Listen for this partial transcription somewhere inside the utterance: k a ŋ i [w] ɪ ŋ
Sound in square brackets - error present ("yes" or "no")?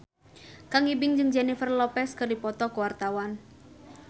yes